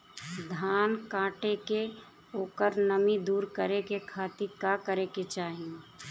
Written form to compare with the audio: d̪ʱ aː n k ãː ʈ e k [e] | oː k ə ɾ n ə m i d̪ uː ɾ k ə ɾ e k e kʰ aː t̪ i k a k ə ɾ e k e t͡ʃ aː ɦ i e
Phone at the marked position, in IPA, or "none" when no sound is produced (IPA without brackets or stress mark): e